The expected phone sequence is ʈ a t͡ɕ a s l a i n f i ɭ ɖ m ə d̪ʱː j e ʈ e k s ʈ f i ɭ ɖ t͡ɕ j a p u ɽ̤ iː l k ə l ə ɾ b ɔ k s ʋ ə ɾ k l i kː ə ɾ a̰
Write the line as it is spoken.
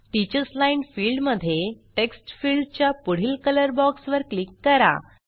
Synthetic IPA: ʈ i t͡ɕ ə s l a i n f i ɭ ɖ m ə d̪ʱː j e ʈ e k s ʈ f i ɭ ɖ t͡ɕ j a p u ɽ̤ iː l k ə l ə ɾ b ɔ k s ʋ ə ɾ k l i kː ə ɾ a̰